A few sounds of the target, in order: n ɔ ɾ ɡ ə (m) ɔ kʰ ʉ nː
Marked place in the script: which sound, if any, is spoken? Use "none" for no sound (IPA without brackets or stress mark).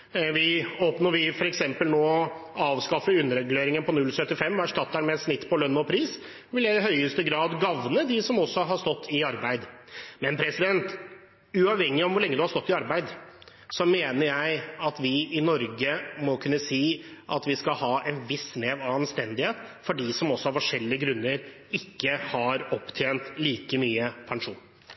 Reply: m